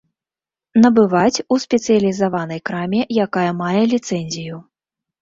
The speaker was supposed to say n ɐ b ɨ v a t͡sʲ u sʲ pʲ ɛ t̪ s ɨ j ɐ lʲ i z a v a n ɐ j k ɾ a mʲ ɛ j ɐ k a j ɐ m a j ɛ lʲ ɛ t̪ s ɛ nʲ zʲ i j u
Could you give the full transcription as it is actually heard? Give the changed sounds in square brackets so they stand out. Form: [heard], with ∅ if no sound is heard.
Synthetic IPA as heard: n ɐ b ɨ v a t͡sʲ u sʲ pʲ ɛ t̪ s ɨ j ɐ lʲ i z a v a n ɐ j k ɾ a mʲ ɛ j [a] k a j ɐ m a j ɛ lʲ [i] t̪ s ɛ nʲ zʲ i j u